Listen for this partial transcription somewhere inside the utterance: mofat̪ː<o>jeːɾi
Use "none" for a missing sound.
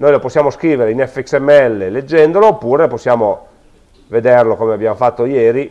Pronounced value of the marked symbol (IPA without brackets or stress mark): o